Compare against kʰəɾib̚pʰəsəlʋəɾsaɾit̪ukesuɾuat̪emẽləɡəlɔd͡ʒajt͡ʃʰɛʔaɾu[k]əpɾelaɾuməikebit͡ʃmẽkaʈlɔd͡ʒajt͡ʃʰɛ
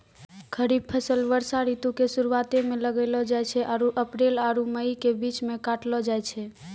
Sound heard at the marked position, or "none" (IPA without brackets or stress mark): ʔ